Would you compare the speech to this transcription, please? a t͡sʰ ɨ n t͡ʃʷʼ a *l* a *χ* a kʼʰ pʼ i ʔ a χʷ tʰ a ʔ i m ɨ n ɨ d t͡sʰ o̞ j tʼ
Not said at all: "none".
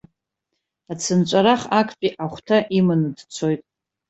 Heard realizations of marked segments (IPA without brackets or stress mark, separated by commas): ɾ, χ